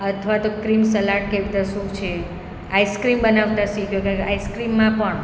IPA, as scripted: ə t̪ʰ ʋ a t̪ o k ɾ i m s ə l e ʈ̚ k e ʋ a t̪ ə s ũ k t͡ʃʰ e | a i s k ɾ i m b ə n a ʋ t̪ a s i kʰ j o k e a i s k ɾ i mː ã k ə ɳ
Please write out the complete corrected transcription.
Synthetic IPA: ə t̪ʰ ʋ a t̪ o k ɾ i m s ə l a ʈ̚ k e ʋ i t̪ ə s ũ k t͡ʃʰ e | a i s k ɾ i m b ə n a ʋ t̪ a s i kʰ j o k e a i s k ɾ i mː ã p ə ɳ